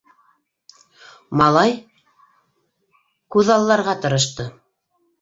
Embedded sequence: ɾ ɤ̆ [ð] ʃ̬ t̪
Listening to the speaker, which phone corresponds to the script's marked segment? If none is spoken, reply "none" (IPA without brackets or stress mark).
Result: none